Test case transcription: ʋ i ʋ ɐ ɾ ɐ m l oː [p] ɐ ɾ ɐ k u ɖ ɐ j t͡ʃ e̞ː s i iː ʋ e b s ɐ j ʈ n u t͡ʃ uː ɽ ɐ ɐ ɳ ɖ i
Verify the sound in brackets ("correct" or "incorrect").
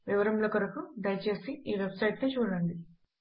incorrect